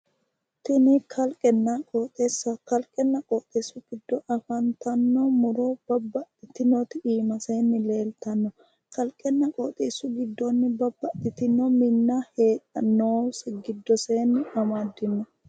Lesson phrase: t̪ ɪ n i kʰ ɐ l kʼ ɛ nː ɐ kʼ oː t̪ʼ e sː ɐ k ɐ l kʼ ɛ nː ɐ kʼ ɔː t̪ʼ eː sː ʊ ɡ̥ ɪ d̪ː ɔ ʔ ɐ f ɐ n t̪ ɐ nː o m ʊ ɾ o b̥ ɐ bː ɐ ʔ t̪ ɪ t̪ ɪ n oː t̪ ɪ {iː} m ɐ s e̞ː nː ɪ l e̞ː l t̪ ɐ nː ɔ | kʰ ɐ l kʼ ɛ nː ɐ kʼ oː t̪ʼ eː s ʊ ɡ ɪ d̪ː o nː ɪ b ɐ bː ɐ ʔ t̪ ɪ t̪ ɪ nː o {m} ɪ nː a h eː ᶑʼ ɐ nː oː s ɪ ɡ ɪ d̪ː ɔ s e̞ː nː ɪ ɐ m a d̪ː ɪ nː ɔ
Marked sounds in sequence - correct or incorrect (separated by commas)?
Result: correct, correct